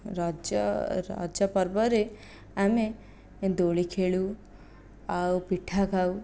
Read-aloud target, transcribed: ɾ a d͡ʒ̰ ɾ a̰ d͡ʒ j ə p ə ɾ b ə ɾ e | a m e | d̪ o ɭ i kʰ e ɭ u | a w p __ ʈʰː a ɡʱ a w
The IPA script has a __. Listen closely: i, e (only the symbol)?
i